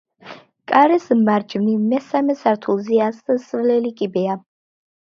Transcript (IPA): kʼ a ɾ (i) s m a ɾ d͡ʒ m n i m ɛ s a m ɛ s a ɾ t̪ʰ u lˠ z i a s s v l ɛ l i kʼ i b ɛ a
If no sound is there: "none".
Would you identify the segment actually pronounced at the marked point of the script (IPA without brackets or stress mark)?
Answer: ɛ